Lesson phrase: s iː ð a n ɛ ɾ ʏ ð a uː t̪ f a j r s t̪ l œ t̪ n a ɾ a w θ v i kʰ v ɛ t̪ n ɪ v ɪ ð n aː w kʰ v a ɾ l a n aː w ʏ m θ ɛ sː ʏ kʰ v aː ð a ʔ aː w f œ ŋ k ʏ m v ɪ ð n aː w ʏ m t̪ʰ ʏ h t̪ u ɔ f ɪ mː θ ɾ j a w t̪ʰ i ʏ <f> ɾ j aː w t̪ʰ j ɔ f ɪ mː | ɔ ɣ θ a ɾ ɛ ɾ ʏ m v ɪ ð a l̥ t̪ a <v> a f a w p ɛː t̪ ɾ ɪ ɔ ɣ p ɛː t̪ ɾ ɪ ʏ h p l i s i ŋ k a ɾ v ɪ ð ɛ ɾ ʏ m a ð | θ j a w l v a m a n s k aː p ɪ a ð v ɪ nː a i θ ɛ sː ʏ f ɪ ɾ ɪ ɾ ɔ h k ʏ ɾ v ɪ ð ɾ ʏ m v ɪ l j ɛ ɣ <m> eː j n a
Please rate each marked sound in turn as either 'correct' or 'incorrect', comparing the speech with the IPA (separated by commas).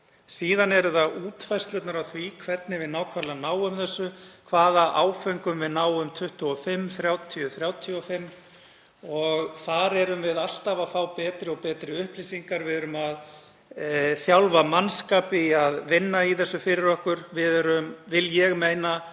incorrect, correct, correct